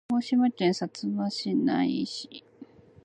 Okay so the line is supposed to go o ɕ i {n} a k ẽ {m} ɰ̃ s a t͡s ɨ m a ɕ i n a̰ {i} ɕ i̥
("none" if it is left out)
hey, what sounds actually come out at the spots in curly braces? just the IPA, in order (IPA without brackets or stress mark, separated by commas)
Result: m, none, i